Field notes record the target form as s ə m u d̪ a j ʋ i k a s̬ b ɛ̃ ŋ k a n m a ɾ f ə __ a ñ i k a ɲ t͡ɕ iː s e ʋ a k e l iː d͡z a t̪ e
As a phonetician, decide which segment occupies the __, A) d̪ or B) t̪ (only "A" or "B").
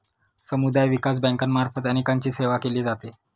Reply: B